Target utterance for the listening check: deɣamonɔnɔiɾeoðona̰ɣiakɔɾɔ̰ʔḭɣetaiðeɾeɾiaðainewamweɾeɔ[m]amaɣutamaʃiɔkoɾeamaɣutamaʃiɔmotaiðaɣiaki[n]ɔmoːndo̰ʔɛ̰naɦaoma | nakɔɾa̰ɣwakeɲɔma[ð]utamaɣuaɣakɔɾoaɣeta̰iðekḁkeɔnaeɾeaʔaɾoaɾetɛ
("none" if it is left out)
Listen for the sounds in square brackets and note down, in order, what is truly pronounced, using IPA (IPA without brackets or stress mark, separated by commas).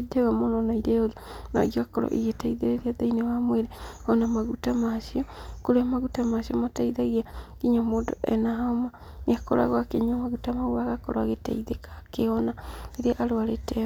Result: n, ɲ, ɣ